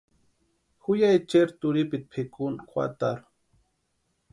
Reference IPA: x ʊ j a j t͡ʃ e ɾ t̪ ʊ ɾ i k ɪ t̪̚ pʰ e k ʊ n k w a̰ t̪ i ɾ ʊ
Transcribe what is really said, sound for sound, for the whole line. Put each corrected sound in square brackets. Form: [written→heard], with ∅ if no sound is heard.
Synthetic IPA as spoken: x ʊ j a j t͡ʃ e ɾ t̪ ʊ ɾ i [k→p] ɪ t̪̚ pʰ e k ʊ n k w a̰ t̪ [i→a] ɾ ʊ